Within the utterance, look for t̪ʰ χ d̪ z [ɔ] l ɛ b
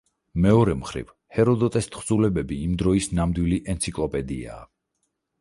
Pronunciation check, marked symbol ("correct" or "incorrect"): incorrect